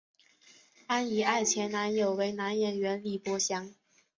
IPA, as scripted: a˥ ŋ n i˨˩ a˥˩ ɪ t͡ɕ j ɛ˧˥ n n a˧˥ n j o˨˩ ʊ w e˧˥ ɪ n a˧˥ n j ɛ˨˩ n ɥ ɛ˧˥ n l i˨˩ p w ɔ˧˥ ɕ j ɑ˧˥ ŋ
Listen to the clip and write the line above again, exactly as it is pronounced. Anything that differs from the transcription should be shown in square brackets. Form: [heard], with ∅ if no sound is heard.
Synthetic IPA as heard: a˥ [∅] n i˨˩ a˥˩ ɪ [t͡ɕʰ] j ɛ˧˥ n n a˧˥ n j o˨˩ ʊ w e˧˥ ɪ n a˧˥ n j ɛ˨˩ n ɥ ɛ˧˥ n l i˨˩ p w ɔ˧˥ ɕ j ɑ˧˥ ŋ